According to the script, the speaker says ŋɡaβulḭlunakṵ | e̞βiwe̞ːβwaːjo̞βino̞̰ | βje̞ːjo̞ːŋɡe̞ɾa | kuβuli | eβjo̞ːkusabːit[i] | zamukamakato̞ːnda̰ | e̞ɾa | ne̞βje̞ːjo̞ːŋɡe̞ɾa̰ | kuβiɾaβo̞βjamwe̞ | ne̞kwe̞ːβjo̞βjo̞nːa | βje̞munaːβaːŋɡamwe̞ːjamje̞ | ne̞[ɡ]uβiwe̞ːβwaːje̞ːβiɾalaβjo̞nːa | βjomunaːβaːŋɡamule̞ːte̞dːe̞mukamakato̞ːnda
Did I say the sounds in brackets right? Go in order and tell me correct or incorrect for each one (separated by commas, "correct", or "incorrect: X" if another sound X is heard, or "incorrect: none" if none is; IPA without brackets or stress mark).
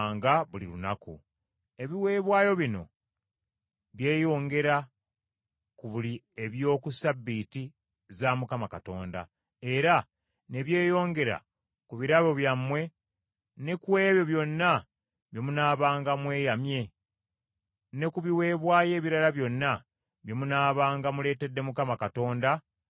correct, incorrect: k